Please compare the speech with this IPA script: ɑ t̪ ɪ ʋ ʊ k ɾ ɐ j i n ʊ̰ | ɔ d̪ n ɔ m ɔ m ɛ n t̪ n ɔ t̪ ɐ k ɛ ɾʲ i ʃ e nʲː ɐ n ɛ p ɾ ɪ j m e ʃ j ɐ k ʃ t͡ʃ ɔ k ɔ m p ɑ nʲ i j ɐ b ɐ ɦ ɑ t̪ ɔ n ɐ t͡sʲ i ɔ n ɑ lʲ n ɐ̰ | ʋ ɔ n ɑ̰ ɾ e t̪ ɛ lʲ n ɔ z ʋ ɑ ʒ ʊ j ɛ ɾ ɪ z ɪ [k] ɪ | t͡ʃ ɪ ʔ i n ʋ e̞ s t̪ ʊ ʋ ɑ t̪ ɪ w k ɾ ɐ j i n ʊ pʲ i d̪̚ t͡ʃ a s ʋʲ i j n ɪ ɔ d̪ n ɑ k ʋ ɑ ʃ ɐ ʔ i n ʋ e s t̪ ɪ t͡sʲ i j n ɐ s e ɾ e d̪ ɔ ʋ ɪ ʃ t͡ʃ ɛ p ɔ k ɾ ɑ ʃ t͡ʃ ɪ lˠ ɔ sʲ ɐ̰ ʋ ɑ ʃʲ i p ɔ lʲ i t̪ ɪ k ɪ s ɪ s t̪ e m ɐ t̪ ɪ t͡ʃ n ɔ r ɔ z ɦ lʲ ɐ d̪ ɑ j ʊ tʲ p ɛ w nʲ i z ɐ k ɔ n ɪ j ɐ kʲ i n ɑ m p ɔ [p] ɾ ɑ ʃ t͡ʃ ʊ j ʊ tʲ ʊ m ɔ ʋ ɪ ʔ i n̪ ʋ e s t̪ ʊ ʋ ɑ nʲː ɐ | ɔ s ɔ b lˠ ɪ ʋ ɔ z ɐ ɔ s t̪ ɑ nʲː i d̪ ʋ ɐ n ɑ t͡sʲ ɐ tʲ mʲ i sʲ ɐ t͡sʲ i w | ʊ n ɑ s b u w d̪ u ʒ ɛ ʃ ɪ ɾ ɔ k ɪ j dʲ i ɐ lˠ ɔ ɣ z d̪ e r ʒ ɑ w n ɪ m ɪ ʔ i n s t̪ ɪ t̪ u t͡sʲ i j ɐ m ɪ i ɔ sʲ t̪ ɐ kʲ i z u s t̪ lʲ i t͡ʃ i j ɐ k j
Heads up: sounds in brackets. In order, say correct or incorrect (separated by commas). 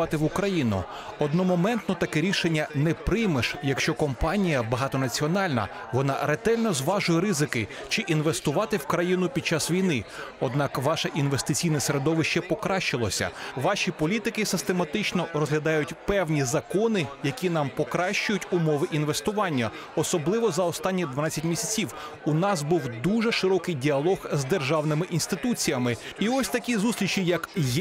correct, incorrect